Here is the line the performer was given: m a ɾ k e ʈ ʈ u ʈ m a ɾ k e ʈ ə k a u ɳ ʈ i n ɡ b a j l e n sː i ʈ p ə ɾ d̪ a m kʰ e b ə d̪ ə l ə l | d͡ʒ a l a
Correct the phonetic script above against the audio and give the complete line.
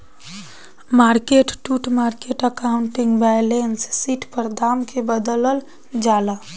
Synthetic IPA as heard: m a ɾ k e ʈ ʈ u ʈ m a ɾ k e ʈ ə k a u ɳ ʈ i ŋ ɡ b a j l e n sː i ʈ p ə ɾ d̪ a m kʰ e b ə d̪ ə l ə l | d͡ʒ a l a